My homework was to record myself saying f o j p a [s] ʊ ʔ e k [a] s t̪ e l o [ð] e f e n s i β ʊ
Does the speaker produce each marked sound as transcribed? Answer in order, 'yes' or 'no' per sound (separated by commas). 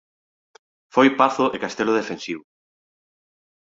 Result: no, yes, yes